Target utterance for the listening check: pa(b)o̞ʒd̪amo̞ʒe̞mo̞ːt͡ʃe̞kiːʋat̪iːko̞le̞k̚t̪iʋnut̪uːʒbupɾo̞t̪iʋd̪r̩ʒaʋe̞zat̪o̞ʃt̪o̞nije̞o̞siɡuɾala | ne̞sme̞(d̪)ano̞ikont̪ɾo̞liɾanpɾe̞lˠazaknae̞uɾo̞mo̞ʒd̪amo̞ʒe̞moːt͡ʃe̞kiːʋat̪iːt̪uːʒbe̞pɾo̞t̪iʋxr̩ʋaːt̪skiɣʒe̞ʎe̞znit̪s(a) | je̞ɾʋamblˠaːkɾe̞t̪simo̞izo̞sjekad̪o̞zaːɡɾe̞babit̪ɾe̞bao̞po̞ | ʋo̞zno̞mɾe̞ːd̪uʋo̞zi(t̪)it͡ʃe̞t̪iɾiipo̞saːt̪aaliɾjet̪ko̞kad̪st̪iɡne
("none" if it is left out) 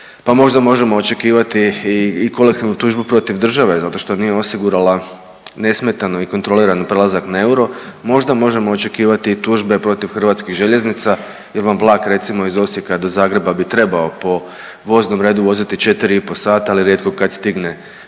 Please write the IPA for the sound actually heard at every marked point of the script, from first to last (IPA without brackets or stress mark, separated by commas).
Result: m, t̪, a, t̪